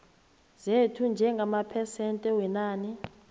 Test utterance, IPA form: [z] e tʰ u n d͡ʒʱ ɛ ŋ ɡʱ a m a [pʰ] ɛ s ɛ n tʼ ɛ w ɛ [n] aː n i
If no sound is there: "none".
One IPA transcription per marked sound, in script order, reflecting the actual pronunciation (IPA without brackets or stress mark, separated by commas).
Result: z, pʰ, n